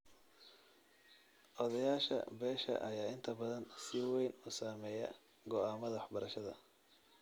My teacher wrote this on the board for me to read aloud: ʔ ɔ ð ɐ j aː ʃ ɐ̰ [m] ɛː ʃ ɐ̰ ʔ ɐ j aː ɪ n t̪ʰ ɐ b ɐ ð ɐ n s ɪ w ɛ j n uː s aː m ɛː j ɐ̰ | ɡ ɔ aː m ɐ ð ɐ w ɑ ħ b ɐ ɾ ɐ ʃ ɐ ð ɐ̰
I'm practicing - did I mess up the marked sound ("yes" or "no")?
yes